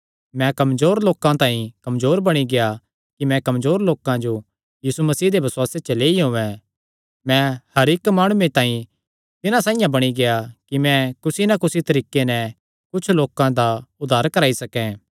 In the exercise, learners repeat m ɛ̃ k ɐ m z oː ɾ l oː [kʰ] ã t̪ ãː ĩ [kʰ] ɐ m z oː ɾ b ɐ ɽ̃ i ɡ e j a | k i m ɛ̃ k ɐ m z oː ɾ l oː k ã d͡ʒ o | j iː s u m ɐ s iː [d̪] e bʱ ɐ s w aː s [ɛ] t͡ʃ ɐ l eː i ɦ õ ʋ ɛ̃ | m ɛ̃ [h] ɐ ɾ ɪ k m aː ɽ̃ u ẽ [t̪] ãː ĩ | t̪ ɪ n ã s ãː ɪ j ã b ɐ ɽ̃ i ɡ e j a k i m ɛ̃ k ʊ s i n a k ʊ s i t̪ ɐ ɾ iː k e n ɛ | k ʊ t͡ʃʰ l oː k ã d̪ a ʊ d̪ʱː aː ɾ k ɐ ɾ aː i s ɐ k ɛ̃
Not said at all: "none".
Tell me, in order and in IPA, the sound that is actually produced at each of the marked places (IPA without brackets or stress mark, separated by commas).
k, k, d̪, e, h, t̪